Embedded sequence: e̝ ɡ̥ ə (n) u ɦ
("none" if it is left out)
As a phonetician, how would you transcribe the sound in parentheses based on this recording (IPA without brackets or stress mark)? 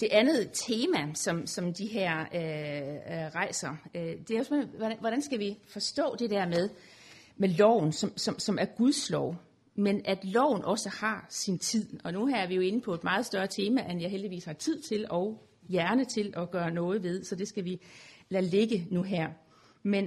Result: n